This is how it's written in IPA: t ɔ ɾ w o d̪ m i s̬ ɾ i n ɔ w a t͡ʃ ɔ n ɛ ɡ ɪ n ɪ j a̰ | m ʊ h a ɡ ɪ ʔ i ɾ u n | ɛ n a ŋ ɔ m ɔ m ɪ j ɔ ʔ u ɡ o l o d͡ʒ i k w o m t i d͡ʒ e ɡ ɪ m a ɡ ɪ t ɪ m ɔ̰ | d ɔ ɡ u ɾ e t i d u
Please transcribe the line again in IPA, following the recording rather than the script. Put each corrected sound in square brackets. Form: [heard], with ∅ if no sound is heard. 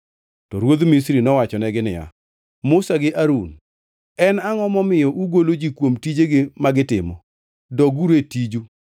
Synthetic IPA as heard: t ɔ ɾ w o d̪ m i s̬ ɾ i n ɔ w a t͡ʃ ɔ n ɛ ɡ ɪ n ɪ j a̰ | m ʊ [s] a ɡ ɪ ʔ [a] ɾ u n | ɛ n a ŋ ɔ m ɔ m ɪ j ɔ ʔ u ɡ o l o d͡ʒ i k w o m t i d͡ʒ e ɡ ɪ m a ɡ ɪ t ɪ m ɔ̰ | d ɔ ɡ u ɾ e t i [d͡ʒ] u